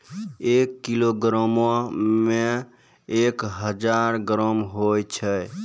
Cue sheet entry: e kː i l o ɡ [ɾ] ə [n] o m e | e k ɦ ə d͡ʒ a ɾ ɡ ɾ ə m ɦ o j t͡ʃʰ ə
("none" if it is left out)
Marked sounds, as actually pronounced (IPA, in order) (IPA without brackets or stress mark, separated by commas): ɾ, m